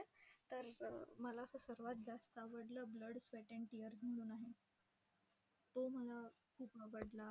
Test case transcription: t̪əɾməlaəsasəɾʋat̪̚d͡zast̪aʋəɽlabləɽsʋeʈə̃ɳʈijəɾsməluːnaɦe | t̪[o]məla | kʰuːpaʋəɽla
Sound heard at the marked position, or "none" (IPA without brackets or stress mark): o